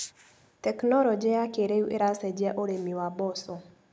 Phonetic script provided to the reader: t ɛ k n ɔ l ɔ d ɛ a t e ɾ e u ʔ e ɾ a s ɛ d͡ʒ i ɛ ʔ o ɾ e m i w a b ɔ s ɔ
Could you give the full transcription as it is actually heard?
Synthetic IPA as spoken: t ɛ k n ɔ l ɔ d͡ʒ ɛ a k e ɾ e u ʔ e ɾ a s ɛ d͡ʒ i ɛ ʔ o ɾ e m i w a b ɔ s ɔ